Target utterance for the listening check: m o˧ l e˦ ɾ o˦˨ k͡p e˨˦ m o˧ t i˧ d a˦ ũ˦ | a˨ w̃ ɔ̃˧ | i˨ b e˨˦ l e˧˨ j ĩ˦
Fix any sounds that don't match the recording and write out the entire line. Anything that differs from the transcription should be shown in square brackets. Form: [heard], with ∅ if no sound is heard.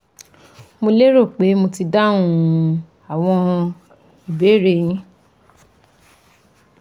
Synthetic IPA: m o˧ l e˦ ɾ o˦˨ k͡p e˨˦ m o˧ t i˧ d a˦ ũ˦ | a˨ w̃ ɔ̃˧ | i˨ b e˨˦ [ɾ] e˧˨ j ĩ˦